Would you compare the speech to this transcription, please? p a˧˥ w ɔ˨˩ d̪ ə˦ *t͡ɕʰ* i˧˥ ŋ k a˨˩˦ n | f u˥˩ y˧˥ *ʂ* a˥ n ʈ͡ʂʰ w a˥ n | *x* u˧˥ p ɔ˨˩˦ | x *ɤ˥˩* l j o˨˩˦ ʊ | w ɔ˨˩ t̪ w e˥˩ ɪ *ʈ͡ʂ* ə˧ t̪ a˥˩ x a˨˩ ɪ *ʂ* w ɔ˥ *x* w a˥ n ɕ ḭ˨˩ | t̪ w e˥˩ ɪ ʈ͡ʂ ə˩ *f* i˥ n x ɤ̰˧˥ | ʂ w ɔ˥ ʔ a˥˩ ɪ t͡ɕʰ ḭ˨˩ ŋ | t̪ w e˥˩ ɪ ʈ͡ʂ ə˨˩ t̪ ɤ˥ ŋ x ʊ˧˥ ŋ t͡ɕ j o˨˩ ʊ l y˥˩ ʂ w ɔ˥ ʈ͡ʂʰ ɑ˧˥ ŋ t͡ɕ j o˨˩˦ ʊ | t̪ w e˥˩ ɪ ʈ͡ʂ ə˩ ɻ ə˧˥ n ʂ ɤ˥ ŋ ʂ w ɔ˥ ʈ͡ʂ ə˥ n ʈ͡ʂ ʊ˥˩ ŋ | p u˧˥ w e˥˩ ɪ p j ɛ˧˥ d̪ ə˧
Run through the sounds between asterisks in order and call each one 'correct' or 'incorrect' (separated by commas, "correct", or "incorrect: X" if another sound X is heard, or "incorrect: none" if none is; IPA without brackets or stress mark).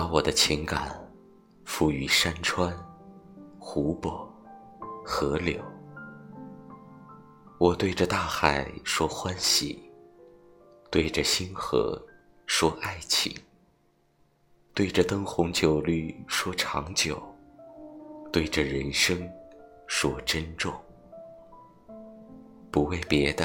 correct, correct, correct, incorrect: ɤ˧˥, correct, correct, correct, incorrect: ɕ